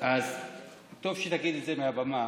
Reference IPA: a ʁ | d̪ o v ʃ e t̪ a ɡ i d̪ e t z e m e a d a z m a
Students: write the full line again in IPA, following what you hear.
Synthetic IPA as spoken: a z | t̪ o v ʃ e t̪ a ɡ i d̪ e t z e m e a b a m a